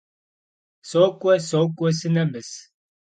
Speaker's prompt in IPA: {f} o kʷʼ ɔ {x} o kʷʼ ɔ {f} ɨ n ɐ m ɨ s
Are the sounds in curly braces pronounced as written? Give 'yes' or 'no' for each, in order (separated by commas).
no, no, no